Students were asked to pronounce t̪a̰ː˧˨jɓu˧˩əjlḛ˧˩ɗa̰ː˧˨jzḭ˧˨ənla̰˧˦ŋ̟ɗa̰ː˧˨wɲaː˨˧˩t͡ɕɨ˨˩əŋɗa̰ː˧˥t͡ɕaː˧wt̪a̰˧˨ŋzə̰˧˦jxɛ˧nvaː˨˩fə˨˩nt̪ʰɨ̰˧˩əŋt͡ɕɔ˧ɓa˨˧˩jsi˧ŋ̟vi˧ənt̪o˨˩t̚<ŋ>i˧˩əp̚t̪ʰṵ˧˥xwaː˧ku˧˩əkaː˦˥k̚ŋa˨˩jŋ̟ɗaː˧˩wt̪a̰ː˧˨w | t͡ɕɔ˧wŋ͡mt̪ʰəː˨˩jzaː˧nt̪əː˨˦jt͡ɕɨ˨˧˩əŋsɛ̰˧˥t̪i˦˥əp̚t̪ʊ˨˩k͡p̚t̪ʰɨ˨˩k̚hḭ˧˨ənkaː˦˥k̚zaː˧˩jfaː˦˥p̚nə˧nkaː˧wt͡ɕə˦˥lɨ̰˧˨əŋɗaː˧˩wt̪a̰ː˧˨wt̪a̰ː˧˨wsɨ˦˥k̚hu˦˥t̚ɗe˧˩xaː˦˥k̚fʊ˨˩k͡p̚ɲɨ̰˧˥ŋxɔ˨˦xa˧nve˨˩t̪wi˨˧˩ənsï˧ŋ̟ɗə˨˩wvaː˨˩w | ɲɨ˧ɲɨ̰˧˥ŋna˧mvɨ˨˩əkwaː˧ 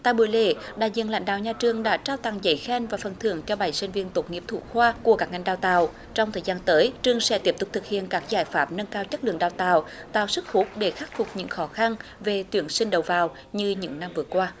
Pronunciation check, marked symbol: correct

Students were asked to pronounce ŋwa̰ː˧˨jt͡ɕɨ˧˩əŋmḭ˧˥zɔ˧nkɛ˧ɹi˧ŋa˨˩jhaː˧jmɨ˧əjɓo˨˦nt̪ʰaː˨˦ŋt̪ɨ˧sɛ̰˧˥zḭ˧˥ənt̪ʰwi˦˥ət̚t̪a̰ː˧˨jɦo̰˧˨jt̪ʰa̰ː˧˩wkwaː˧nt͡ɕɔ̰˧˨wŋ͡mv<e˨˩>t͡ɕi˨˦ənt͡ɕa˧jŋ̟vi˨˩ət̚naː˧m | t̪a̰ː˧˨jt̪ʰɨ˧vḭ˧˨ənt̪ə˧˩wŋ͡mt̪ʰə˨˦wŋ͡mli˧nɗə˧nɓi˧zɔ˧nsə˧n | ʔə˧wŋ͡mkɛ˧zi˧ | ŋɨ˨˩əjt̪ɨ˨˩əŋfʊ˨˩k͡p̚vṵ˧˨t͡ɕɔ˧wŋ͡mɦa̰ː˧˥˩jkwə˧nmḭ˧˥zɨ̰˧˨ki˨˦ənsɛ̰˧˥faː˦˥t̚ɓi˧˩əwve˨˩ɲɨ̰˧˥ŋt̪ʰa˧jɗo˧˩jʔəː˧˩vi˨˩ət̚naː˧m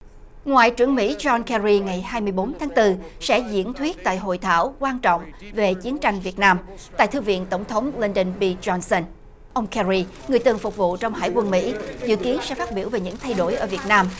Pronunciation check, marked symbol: correct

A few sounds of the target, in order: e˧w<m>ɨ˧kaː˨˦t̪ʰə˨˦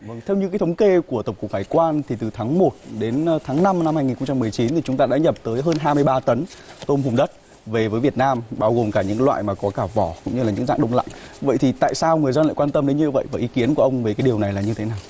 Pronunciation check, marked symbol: incorrect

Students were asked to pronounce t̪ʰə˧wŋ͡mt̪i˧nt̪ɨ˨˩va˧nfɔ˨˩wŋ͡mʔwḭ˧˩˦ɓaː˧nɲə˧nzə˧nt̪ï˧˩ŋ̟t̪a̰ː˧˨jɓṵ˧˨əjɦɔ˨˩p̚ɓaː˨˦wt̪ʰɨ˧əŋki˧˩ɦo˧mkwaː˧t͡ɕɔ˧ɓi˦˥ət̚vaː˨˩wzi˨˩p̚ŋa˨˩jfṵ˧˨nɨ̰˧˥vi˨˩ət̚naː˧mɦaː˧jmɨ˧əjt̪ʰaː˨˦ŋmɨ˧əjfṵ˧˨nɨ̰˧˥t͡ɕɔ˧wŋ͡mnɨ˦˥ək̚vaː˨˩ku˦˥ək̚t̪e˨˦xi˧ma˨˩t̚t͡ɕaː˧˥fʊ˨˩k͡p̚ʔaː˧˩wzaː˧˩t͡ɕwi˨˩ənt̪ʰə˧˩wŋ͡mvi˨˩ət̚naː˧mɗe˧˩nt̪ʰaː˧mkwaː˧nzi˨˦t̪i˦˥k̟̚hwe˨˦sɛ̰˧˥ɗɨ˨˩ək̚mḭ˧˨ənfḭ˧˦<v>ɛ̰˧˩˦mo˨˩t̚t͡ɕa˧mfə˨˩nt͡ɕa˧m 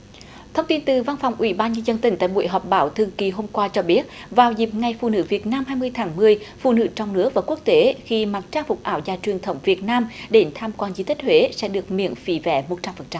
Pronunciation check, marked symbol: correct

